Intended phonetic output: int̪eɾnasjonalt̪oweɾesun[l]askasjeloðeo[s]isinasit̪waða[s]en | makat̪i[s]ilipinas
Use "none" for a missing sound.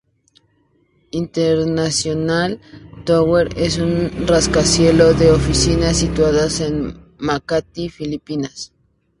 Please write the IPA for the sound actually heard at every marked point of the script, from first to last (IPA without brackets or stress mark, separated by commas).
r, f, s, f